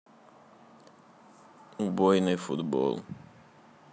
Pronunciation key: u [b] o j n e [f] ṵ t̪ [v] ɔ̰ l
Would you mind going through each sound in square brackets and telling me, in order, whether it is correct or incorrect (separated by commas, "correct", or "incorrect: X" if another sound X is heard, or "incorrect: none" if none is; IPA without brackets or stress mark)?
correct, correct, incorrect: b